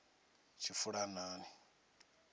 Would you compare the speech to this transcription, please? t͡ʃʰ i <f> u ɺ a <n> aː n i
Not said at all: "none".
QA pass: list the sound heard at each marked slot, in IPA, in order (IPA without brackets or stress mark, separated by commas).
f, n